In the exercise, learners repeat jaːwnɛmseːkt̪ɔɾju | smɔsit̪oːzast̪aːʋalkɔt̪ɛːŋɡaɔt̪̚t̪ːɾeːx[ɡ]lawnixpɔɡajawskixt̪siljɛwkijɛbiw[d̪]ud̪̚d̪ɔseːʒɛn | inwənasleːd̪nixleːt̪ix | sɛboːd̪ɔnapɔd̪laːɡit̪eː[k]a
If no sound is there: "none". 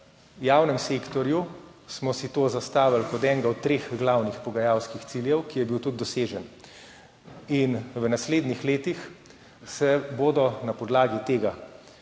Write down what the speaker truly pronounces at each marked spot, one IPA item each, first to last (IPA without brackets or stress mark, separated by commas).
ɡ, t̪, ɡ